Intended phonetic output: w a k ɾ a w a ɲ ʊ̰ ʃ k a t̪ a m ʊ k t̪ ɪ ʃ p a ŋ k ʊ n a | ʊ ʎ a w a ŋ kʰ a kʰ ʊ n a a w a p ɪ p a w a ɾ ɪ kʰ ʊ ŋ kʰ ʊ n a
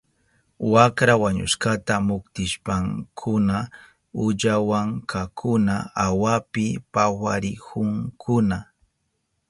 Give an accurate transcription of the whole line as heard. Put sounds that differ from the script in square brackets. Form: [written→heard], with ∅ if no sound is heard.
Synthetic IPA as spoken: w a k ɾ a w a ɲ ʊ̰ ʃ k a t̪ a m ʊ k t̪ ɪ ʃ p a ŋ [k→kʰ] ʊ n a | ʊ ʎ a w a ŋ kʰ a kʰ ʊ n a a w a p ɪ p a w a ɾ ɪ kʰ ʊ ŋ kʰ ʊ n a

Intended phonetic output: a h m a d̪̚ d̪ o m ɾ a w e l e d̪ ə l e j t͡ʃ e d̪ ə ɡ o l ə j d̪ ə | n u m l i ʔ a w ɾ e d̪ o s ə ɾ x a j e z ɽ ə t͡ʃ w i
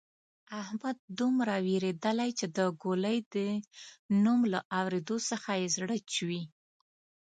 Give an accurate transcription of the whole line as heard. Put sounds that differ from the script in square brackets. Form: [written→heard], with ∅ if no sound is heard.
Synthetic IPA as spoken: a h m a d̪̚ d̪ [o→u] m ɾ a w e [l→ɾ] e d̪ ə l [e→a] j t͡ʃ e d̪ ə ɡ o l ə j d̪ ə | n u m l [i→a] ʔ a w ɾ e d̪ o s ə [ɾ→∅] x a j e z ɽ ə t͡ʃ w i

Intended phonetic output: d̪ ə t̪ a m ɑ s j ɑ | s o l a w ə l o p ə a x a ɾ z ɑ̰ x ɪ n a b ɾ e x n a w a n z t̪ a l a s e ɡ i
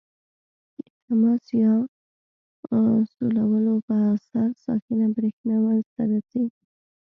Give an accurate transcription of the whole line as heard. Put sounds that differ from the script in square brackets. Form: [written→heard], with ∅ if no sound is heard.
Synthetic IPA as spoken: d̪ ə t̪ a m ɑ s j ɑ | s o l a w ə l o p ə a [x→s] a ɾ [z→s] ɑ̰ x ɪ n a b ɾ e x n a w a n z t̪ a [l→ɾ] a s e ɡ i

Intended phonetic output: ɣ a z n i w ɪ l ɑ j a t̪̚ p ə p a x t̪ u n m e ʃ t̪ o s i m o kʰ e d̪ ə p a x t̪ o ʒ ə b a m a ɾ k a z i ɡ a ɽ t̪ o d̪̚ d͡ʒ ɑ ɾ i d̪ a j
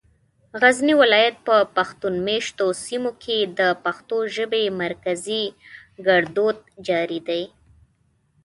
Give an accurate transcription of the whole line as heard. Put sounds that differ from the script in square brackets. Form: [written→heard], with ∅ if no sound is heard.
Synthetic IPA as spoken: ɣ a z n i w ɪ l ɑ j a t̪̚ p ə p a x t̪ u n m e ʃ t̪ o s i m o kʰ e d̪ ə p a x t̪ o ʒ ə b [a→e] m a ɾ k a z i ɡ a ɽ [t̪→d̪] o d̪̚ d͡ʒ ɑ ɾ i d̪ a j

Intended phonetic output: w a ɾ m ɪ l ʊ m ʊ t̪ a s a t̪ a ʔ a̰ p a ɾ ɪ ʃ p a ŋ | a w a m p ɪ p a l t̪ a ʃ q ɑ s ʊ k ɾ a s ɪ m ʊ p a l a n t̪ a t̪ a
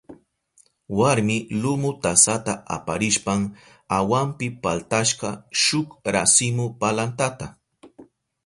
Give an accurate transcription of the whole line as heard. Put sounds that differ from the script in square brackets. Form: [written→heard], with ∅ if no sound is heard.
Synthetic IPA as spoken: w a ɾ m ɪ l ʊ m ʊ t̪ a s a t̪ a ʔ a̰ p a ɾ ɪ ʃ p a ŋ | a w a m p ɪ p a l t̪ a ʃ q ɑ [s→ʃ] ʊ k ɾ a s ɪ m ʊ p a l a n t̪ a t̪ a

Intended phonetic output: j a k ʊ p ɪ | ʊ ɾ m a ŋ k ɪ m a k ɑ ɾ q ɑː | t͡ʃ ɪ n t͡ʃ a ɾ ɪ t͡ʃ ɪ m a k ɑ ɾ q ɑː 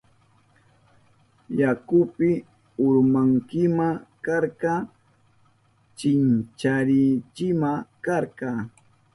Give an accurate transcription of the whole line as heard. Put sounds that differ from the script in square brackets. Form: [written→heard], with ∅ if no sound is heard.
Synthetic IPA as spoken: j a k ʊ p ɪ | ʊ ɾ m a ŋ k ɪ m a k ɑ ɾ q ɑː | t͡ʃ ɪ n t͡ʃ a ɾ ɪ t͡ʃ ɪ m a k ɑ ɾ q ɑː

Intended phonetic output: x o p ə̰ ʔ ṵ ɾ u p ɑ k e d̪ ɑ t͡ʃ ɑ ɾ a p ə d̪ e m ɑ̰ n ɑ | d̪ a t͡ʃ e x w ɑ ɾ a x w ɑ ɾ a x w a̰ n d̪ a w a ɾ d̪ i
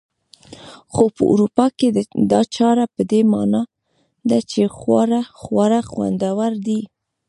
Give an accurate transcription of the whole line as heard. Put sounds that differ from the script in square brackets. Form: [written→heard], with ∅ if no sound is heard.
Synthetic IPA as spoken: x o p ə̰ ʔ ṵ ɾ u p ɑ k e d̪ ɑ t͡ʃ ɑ ɾ a p ə d̪ e m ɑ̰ n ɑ | d̪ a t͡ʃ e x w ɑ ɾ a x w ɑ ɾ a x w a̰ n d̪ a w a ɾ d̪ i

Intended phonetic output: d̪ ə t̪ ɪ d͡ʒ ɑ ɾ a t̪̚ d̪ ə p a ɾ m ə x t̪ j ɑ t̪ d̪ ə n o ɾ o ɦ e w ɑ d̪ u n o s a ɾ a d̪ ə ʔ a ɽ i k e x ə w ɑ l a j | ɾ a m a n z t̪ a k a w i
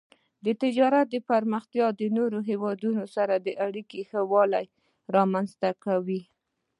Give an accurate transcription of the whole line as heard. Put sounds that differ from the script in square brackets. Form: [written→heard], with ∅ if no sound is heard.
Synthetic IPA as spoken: d̪ ə t̪ ɪ d͡ʒ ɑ ɾ a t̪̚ d̪ ə p a ɾ m ə x t̪ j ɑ [t̪→∅] d̪ ə n o ɾ o ɦ e w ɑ d̪ u n o s a ɾ a d̪ ə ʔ a ɽ i k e x ə w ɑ l a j | ɾ [a→ɑ] m a n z t̪ a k a w i

